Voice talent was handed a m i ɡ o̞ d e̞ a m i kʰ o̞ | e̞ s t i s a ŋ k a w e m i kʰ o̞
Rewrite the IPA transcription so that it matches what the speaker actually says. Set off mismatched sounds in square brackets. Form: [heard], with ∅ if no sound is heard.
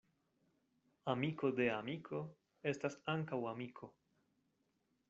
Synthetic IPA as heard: a m i [k] o̞ d e̞ a m i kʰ o̞ | e̞ s t [a] s a ŋ k a w [a] m i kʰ o̞